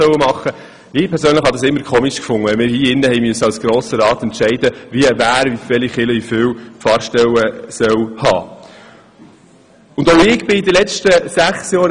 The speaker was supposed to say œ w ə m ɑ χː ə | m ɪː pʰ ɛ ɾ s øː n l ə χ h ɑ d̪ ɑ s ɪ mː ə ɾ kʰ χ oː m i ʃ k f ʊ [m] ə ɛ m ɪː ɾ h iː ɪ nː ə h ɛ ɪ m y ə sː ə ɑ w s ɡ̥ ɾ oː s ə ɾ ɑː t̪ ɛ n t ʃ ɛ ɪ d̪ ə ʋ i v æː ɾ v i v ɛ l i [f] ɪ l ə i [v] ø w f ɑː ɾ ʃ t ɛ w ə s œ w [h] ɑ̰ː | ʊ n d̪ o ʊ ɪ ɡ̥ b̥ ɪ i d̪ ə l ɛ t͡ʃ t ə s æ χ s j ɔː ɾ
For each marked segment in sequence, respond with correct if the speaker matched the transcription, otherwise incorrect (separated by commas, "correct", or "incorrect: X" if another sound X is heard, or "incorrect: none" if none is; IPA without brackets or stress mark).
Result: incorrect: ŋ, incorrect: χ, incorrect: f, correct